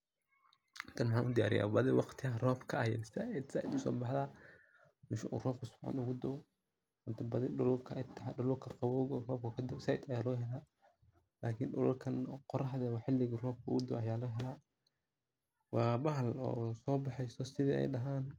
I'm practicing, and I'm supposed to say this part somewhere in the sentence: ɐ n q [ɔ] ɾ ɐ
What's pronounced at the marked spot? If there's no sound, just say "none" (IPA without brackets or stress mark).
ɔ